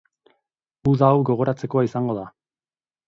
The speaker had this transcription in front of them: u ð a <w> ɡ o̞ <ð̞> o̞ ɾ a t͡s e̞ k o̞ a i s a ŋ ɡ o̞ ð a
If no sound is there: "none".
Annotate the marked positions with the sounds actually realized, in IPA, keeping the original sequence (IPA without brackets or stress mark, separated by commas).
w, ɣ̞